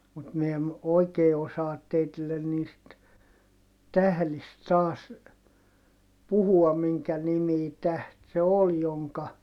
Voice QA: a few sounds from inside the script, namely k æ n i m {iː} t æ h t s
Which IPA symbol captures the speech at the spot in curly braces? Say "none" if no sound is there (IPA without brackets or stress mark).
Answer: iː